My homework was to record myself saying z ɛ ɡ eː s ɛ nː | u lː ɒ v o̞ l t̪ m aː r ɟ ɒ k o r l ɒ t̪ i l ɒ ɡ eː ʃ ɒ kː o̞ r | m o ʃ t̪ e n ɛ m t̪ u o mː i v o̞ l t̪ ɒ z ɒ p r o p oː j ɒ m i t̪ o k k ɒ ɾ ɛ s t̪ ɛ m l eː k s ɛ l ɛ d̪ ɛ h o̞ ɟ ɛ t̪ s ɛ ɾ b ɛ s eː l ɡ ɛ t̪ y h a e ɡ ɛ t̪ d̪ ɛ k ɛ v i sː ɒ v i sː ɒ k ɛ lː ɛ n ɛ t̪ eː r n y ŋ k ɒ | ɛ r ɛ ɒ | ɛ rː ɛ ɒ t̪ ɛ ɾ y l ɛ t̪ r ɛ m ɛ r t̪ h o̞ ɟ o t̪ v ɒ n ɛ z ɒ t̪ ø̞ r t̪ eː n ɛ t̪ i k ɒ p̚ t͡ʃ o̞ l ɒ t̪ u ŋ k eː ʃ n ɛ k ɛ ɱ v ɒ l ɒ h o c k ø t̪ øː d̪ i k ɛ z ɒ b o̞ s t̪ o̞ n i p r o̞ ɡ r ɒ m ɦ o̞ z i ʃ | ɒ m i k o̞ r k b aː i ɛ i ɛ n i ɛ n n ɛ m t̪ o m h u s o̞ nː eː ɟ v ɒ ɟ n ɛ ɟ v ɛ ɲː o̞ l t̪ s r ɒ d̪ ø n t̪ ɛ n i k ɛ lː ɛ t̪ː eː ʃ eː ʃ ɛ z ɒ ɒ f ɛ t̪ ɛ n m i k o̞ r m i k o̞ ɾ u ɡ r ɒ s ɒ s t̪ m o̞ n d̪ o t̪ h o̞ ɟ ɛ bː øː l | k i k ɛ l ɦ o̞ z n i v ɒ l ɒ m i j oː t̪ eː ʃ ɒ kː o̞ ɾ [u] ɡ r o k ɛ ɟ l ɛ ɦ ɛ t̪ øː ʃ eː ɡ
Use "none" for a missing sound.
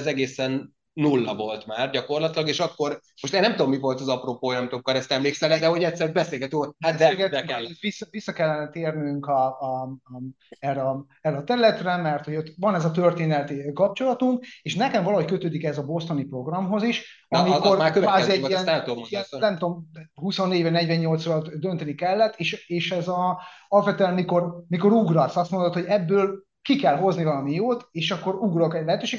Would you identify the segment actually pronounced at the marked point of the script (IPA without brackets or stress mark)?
u